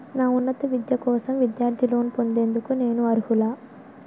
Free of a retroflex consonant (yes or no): yes